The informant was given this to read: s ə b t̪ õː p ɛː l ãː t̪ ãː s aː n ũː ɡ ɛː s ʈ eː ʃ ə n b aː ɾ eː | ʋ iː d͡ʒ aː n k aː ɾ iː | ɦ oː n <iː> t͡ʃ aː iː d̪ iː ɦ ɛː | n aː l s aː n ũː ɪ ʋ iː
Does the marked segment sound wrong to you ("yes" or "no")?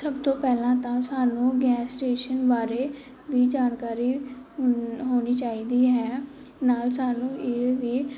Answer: no